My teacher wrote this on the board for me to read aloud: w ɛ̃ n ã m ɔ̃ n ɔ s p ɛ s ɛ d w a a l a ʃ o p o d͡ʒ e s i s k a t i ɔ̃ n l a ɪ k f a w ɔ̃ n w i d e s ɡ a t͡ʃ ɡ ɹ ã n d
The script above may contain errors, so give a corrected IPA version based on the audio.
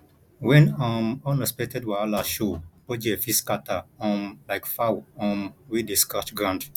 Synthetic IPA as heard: w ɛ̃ n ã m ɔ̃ n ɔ s p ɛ t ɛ d w a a l a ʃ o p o d͡ʒ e f i s k a t a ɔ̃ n l a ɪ k f a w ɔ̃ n w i d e s k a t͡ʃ ɡ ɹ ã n d